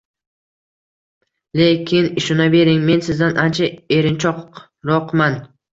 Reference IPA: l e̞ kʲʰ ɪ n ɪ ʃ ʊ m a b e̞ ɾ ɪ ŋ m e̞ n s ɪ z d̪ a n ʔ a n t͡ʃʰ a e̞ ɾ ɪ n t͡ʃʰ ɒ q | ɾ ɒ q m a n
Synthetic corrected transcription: l e̞ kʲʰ ɪ n ɪ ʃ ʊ n a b e̞ ɾ ɪ ŋ m e̞ n s ɪ z d̪ a n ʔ a n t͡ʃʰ a e̞ ɾ ɪ n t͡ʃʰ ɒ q | ɾ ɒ q m a n